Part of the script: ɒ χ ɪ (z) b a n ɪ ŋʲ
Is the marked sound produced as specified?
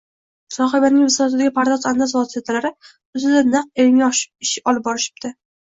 no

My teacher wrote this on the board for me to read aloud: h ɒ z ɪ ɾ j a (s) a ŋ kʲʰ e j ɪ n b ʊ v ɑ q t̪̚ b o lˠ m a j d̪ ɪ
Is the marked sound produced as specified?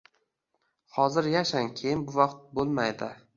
no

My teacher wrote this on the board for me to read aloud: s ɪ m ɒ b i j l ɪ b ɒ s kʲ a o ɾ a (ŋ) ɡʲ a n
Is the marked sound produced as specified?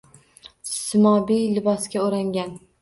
yes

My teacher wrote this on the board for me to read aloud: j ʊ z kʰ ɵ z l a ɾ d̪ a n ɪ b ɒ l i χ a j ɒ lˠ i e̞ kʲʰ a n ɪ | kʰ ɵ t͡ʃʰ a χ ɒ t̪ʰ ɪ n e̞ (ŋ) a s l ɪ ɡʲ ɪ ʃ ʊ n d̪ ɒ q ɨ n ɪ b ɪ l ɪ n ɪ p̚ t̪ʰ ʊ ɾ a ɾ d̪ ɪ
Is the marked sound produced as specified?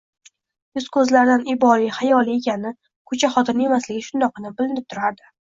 no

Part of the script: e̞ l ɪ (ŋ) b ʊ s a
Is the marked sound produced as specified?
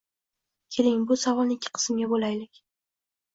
yes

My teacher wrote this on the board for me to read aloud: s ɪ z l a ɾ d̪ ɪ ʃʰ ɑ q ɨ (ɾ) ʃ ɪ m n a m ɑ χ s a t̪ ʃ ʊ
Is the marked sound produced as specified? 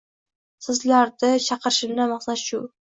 yes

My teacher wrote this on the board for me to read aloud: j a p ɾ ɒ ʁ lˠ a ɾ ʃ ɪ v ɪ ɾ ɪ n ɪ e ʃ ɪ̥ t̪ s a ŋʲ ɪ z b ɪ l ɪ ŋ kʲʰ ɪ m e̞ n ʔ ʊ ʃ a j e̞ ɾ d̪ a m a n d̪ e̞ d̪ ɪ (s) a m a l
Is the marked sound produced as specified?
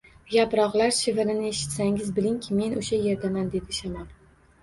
no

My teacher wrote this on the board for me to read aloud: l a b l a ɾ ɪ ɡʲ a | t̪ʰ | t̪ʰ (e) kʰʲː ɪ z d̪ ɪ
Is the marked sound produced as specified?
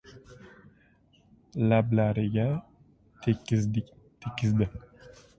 yes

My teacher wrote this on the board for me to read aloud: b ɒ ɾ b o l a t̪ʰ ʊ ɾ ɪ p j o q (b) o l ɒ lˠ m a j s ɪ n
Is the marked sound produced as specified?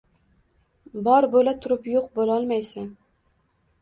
yes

